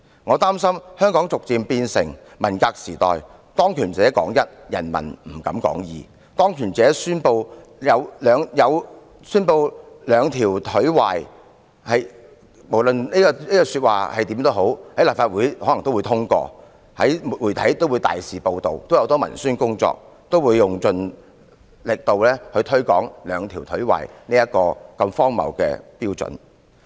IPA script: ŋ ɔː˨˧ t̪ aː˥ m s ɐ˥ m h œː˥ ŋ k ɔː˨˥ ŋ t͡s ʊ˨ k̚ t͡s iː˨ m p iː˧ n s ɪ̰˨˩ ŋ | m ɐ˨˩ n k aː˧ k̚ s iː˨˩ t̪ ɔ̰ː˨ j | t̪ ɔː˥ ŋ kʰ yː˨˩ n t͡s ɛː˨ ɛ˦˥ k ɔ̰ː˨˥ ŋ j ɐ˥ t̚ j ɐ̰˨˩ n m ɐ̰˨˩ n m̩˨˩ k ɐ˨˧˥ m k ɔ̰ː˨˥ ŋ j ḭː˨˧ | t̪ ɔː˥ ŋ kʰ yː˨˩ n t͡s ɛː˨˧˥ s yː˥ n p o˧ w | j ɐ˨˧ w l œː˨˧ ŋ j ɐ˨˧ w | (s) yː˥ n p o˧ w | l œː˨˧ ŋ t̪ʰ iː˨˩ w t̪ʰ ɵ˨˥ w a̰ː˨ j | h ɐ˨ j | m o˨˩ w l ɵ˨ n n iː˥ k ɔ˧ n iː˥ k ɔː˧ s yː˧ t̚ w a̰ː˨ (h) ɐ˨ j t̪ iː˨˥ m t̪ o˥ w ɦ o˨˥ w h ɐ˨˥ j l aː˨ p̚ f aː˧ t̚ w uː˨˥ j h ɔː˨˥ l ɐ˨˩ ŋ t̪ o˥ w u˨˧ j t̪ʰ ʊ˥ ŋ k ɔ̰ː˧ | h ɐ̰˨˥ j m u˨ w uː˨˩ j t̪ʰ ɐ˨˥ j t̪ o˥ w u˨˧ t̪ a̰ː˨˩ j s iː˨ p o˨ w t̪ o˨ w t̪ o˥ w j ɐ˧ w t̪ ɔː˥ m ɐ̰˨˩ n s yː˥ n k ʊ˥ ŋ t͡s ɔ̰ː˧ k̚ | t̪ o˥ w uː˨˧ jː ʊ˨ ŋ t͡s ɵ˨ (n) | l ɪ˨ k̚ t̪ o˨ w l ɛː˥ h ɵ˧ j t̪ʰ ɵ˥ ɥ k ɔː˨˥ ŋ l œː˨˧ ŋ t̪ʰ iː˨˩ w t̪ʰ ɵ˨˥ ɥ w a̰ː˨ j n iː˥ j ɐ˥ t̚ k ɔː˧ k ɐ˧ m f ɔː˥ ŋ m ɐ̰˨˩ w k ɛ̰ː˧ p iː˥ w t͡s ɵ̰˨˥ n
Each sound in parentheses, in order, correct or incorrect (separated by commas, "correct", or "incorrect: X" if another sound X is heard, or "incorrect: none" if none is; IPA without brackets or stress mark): correct, correct, correct